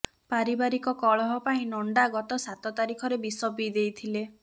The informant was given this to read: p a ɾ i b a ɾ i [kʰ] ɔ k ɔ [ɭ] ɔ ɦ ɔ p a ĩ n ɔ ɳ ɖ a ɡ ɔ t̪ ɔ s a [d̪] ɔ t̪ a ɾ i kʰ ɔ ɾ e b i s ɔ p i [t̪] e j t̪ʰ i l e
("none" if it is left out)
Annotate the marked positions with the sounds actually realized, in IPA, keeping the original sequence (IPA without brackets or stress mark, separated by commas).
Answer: k, ɭ, t̪, d̪